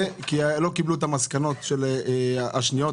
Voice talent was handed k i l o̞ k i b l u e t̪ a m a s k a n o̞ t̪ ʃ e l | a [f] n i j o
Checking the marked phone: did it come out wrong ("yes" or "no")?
yes